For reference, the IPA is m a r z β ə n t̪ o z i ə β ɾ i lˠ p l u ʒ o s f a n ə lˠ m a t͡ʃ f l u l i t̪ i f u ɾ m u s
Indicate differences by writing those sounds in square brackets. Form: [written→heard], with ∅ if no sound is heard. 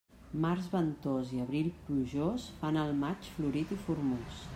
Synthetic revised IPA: m a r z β ə n t̪ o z i ə β ɾ i lˠ p l u ʒ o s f a n ə lˠ m a t͡ʃ f l u [l→ɾ] i t̪ i f u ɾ m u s